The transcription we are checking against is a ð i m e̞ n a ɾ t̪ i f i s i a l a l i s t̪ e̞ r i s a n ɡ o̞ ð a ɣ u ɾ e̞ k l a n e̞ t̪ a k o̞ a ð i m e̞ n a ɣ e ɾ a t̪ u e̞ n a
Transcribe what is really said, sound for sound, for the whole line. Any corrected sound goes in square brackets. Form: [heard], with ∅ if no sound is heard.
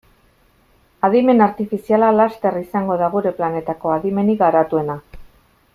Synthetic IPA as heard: a ð i m e̞ n a ɾ t̪ i f i s i a l a l [a] s t̪ e̞ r i s a [ŋ] ɡ o̞ ð a ɣ u ɾ e̞ [p] l a n e̞ t̪ a k o̞ a ð i m e̞ n [i] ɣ [a] ɾ a t̪ u e̞ n a

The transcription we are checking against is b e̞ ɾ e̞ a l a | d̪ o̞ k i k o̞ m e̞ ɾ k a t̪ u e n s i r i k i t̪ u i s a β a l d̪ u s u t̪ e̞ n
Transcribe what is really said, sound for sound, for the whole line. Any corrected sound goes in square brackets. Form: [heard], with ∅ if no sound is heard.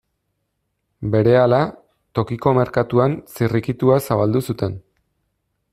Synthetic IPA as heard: b e̞ ɾ e̞ a l a | [t̪] o̞ k i k o̞ m e̞ ɾ k a t̪ u [a] n s i r i k i t̪ u [a] s a β a l d̪ u s u t̪ e̞ n

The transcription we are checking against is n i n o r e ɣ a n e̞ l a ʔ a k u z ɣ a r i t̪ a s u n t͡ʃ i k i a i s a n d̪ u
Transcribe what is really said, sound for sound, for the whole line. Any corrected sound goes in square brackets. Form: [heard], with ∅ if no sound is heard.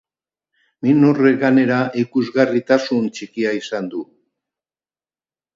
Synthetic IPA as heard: [m] i n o r e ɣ a n e̞ [ɾ] a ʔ [i] k u z ɣ a r i t̪ a s u n t͡ʃ i k i a i s a n d̪ u

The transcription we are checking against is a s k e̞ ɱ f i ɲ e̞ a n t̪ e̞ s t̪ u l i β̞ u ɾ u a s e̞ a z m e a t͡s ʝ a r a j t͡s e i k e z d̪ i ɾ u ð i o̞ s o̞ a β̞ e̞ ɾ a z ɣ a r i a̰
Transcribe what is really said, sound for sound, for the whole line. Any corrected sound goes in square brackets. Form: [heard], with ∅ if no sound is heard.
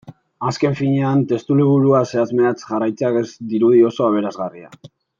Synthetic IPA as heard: a s k e̞ ɱ f i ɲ e̞ a n t̪ e̞ s t̪ u l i β̞ u ɾ u a s e̞ a z m e a t͡s ʝ a r a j t͡s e [a] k e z d̪ i ɾ u ð i o̞ s o̞ a β̞ e̞ ɾ a z ɣ a r i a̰

